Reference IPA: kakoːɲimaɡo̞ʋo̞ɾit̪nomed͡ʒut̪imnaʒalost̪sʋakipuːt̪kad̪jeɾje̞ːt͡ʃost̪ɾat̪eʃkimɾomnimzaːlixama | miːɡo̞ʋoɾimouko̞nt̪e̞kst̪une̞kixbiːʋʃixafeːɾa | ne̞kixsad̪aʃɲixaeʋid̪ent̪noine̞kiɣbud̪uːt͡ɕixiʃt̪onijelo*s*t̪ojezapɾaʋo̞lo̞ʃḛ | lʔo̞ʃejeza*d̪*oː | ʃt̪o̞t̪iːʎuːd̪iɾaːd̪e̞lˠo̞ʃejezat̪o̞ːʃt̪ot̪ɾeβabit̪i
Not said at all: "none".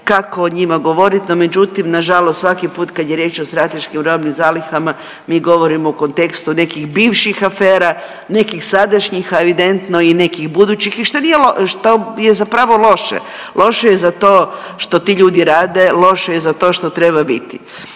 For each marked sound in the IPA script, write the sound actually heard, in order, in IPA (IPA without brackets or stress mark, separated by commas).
ʃ, t̪